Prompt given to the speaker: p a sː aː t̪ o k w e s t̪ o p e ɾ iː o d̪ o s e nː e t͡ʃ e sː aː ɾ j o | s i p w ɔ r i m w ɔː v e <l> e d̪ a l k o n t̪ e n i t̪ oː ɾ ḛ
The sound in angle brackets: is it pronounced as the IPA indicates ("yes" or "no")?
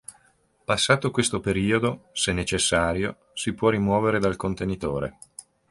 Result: no